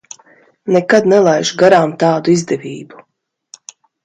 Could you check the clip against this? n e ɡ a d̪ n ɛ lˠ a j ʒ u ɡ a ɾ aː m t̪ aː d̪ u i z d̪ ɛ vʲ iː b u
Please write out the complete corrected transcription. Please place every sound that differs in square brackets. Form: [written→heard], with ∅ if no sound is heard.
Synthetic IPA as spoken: n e [ɡ→k] a d̪ n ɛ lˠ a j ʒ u ɡ a ɾ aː m t̪ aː d̪ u i z d̪ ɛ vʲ iː b u